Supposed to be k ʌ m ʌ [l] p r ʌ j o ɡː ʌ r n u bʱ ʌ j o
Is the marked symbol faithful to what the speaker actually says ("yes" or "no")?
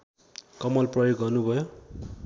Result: yes